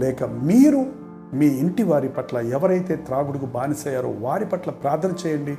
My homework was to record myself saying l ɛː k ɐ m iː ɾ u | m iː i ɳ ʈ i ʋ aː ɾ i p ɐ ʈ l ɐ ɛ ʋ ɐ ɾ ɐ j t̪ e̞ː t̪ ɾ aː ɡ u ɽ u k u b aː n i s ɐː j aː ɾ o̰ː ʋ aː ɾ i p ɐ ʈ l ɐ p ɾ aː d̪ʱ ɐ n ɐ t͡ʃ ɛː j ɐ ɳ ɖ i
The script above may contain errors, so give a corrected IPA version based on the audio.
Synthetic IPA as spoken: l ɛː k ɐ m iː ɾ u | m iː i ɳ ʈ i ʋ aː ɾ i p ɐ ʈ l ɐ ɛ ʋ ɐ ɾ ɐ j t̪ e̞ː t̪ ɾ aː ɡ u ɽ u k u b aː n i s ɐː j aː ɾ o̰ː ʋ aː ɾ i p ɐ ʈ l ɐ p ɾ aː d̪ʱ ɐ n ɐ t͡ʃ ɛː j ɐ ɳ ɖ i